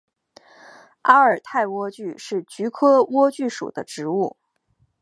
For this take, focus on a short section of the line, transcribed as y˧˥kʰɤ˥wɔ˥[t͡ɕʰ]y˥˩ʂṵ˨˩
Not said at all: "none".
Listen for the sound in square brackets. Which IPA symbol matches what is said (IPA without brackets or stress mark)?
t͡ɕ